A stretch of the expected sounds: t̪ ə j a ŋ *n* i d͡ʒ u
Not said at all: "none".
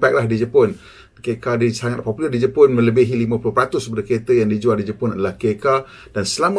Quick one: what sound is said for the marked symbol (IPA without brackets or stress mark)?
d